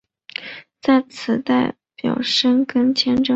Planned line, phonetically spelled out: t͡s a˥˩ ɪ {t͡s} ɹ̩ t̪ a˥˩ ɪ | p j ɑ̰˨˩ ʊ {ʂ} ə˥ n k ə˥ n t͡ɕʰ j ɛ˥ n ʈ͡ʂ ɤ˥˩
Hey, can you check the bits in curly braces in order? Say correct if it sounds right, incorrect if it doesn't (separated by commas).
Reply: incorrect, correct